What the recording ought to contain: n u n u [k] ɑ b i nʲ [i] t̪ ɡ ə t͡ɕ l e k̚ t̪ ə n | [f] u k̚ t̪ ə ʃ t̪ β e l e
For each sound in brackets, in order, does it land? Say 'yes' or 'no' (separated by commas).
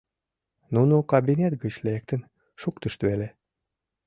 yes, no, no